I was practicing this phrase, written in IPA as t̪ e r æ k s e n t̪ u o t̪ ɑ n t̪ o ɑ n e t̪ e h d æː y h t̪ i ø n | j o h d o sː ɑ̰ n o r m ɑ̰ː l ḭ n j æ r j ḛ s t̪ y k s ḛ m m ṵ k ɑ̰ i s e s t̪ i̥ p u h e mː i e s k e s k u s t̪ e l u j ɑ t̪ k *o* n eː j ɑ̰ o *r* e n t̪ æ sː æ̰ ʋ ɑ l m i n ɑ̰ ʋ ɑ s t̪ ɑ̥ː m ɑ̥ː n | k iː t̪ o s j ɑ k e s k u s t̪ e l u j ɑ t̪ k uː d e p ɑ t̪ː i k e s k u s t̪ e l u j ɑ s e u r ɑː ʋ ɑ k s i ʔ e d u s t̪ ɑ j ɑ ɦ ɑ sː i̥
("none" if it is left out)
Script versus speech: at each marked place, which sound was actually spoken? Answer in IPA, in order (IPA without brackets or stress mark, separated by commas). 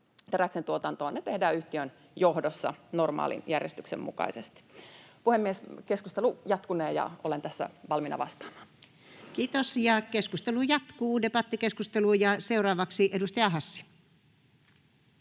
u, l